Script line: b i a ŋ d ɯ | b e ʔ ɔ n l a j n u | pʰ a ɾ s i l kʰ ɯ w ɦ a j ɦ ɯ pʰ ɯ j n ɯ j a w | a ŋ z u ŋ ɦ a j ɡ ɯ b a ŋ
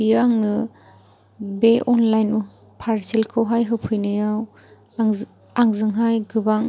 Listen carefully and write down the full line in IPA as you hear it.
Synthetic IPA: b i a ŋ n ɯ | b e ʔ ɔ n l a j n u | pʰ a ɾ s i l kʰ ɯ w ɦ a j ɦ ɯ pʰ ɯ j n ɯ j a w | a ŋ z ɯ ŋ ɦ a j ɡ ɯ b a ŋ